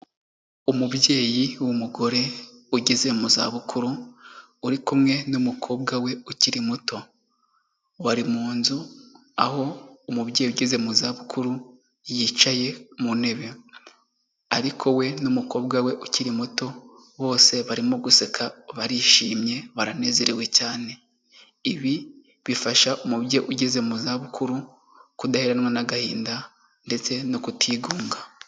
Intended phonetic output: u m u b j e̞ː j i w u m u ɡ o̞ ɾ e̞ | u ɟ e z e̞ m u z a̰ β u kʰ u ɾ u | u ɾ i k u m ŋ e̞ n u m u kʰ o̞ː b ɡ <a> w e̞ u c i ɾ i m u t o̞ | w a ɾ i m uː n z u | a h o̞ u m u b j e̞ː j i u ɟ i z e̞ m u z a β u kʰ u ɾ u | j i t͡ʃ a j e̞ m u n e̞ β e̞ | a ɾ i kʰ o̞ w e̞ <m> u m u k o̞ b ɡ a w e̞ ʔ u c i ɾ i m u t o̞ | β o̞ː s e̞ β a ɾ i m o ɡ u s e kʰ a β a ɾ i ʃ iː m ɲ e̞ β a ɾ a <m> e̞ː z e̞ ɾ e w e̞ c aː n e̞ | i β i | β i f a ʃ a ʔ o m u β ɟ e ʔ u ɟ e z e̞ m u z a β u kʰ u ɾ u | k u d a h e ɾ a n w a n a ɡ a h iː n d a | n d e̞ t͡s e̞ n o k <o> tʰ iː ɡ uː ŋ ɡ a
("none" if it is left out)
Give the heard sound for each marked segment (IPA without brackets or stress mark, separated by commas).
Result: a, n, n, u